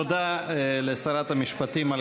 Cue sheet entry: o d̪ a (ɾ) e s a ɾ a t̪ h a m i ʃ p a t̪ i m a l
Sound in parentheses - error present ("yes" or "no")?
yes